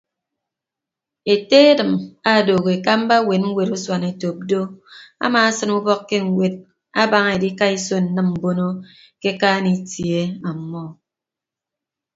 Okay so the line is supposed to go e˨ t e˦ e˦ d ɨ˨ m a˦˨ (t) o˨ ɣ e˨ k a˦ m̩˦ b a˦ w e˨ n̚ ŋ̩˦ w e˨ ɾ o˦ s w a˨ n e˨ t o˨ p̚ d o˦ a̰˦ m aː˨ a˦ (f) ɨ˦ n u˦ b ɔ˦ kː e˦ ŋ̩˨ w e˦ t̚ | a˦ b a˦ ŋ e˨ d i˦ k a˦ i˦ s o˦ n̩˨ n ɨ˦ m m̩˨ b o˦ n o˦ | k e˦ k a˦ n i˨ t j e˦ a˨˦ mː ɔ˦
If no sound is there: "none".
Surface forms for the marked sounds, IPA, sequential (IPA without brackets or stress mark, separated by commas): d, s